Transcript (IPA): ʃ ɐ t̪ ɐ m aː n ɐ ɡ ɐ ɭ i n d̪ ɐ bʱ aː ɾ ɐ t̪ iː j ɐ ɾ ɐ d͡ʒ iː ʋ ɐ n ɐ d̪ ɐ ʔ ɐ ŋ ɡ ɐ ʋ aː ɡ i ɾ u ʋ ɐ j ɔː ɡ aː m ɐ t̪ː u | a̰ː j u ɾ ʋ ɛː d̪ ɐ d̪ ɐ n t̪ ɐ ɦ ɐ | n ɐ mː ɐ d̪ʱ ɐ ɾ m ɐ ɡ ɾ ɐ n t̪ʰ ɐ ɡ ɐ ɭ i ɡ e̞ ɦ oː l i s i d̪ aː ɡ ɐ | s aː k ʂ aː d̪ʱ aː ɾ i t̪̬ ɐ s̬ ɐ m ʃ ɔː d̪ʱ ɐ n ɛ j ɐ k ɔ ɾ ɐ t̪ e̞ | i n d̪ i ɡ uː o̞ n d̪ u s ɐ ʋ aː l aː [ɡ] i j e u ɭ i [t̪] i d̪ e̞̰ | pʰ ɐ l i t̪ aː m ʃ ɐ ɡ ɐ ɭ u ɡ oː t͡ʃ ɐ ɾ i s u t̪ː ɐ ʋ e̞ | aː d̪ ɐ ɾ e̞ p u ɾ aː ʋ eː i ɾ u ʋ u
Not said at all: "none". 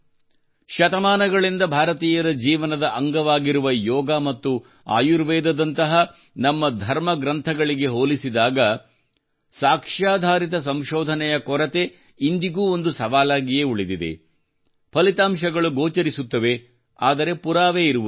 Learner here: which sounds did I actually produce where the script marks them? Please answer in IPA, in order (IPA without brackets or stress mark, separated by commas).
ɡ, d̪